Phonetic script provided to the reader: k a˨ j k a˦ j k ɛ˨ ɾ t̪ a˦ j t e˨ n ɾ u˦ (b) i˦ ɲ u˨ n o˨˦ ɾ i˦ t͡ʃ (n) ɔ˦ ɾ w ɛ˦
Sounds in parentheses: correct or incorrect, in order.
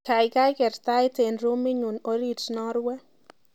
incorrect: m, correct

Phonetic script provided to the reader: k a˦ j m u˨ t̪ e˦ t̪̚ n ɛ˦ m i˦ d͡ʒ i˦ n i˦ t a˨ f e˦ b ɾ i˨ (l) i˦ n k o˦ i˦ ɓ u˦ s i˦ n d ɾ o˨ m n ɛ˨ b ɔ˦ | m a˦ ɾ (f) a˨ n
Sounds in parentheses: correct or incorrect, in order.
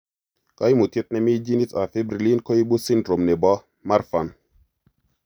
correct, correct

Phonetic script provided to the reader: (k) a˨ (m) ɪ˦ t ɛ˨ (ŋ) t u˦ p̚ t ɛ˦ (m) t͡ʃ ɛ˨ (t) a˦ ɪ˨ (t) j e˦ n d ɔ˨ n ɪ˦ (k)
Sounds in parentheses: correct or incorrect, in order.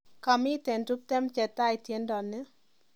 correct, correct, incorrect: n, correct, correct, correct, incorrect: none

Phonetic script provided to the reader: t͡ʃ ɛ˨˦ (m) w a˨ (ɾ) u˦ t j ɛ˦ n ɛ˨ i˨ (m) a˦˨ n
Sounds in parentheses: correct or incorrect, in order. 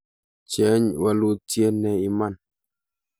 incorrect: ɲ, incorrect: l, correct

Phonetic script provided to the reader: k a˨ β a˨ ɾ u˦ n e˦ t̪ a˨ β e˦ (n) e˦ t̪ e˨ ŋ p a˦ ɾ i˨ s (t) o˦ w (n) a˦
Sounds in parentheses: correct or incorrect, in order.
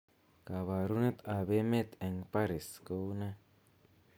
incorrect: m, incorrect: k, correct

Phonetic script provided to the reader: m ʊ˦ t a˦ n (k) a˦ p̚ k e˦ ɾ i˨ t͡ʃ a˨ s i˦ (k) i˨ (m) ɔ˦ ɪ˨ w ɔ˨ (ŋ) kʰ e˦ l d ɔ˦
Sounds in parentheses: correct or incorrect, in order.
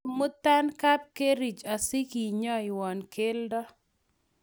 correct, correct, incorrect: ɲ, incorrect: n

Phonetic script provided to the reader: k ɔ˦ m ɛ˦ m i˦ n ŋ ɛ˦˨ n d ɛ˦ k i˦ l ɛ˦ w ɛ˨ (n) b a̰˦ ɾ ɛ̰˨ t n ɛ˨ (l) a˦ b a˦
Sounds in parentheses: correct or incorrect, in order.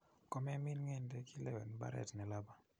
correct, correct

